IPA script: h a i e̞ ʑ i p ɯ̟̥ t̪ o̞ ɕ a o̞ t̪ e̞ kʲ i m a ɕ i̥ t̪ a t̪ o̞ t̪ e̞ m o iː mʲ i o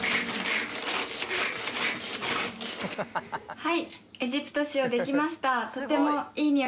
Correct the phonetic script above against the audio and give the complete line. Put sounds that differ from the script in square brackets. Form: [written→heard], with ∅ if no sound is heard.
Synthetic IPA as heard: h a i e̞ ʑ i p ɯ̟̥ t̪ o̞ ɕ [a→i] o̞ [t̪→d̪] e̞ kʲ i m a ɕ i̥ t̪ a t̪ o̞ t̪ e̞ m o iː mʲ i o